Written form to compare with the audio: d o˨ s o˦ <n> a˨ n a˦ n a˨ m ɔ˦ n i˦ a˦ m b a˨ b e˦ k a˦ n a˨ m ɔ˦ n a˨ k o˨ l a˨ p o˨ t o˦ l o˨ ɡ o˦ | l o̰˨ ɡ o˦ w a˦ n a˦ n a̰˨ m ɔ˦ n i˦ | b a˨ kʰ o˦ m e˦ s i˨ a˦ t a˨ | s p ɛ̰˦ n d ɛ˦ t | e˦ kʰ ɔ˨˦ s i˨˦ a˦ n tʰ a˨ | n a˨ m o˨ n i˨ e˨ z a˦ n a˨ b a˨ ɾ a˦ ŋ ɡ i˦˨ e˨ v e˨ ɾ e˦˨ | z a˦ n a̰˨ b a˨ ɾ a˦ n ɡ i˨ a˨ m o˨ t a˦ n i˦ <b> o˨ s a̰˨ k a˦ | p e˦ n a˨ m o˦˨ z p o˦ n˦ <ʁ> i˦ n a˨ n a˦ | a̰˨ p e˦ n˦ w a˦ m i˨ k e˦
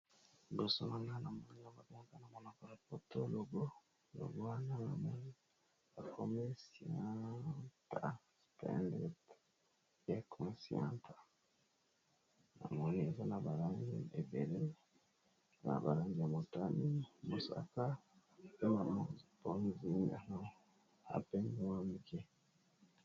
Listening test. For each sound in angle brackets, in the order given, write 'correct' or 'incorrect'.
correct, incorrect: m, incorrect: z

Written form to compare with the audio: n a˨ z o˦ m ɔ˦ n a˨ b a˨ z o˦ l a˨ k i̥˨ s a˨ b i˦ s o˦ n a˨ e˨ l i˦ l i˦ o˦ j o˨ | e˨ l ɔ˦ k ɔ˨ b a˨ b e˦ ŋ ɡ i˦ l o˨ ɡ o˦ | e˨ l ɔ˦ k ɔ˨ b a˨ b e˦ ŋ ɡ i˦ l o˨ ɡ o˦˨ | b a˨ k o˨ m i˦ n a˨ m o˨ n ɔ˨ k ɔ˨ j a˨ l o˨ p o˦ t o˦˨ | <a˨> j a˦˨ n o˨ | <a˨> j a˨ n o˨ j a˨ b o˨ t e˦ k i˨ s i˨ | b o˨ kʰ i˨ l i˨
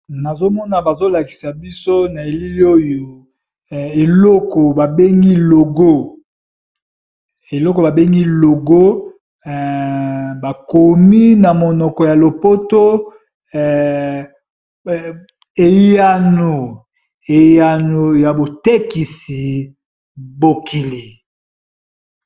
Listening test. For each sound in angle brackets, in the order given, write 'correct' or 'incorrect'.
incorrect: e˨, incorrect: e˨

